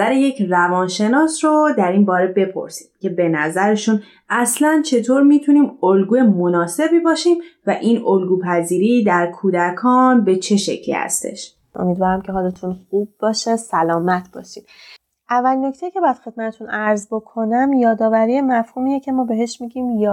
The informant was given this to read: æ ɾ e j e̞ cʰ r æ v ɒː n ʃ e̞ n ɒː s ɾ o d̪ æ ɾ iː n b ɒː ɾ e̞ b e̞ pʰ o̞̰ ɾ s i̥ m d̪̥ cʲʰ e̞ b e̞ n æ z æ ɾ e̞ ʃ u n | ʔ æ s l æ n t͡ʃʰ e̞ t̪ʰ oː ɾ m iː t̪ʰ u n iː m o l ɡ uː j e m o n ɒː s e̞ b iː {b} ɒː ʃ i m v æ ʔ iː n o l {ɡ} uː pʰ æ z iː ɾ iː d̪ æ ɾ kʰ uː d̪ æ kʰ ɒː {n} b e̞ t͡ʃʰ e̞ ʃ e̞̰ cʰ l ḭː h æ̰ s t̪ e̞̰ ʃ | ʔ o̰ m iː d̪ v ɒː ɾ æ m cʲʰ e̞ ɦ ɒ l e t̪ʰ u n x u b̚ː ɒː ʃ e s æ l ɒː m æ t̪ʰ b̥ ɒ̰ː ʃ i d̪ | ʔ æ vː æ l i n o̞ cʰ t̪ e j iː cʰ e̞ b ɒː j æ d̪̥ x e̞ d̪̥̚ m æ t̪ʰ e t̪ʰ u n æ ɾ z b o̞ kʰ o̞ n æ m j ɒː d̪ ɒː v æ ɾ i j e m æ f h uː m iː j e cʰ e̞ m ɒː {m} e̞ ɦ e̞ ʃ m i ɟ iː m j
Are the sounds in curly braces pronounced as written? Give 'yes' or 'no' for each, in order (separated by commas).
yes, yes, yes, no